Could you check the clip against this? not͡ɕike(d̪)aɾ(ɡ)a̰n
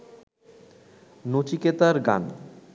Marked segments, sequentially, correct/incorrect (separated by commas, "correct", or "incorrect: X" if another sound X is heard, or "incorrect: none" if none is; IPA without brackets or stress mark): incorrect: t̪, correct